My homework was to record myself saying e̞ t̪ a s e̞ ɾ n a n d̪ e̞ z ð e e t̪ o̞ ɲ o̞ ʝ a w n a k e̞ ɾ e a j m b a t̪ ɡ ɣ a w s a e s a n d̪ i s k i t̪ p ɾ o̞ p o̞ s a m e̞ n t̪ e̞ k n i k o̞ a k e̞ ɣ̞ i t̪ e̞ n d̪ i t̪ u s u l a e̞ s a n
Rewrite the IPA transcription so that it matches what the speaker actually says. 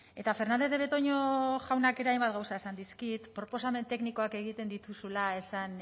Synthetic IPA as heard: e̞ t̪ a f e̞ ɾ n a n d̪ e̞ z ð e e t̪ o̞ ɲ o̞ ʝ a w n a k e̞ ɾ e a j m b a t̪ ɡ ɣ a w s a e s a n d̪ i s k i t̪ p ɾ o̞ p o̞ s a m e̞ n t̪ e̞ k n i k o̞ a k e̞ ɣ̞ i t̪ e̞ n d̪ i t̪ u s u l a e̞ s a n